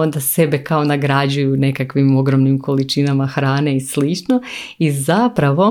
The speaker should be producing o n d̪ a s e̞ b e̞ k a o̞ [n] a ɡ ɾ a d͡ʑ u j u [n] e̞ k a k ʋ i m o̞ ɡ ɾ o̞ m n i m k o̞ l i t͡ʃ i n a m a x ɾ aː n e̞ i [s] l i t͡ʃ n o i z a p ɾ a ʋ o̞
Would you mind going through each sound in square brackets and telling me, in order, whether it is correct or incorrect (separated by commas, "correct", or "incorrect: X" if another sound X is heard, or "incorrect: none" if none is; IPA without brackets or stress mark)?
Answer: correct, correct, correct